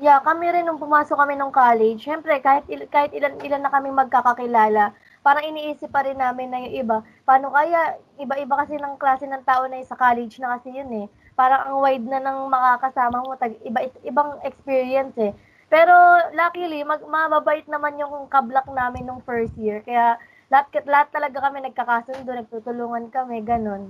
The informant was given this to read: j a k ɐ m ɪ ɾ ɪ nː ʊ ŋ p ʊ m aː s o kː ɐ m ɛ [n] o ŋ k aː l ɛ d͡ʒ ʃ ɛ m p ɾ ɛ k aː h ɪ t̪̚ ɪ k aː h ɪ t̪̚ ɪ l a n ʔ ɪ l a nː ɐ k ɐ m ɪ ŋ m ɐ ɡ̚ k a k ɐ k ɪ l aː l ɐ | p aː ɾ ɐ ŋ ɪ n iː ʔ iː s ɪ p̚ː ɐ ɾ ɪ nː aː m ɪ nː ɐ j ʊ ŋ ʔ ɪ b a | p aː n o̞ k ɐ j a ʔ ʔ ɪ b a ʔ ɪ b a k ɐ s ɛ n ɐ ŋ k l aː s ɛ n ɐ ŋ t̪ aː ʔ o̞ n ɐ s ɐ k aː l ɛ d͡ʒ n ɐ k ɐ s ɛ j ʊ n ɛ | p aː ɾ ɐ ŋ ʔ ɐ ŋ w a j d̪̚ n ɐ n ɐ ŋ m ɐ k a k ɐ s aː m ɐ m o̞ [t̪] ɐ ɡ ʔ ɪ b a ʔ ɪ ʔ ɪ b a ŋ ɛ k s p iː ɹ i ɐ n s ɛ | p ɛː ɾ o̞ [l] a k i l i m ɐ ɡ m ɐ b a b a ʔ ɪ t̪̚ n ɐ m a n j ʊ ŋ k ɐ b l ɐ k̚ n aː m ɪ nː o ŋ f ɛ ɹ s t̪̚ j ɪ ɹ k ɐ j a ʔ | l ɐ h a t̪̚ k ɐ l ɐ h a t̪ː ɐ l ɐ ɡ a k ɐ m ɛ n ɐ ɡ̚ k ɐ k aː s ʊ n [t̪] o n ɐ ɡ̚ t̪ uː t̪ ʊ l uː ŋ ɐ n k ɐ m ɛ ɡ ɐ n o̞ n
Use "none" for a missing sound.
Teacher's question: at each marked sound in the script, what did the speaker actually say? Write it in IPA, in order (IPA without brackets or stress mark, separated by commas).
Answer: n, t̪, l, d̪